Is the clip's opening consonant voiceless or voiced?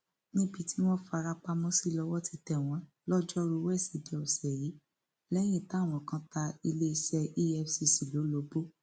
voiced